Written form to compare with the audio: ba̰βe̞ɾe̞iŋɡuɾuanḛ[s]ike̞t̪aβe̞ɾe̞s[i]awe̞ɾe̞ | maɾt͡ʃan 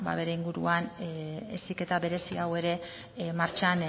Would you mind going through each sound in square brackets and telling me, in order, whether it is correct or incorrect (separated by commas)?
correct, correct